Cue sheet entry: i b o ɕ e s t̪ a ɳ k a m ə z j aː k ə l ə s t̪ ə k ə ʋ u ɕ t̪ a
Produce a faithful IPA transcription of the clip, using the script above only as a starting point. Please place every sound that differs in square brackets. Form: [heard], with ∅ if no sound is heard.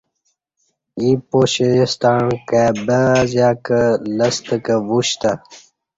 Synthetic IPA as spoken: i [p] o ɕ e s t̪ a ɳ k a [b] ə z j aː k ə l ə s t̪ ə k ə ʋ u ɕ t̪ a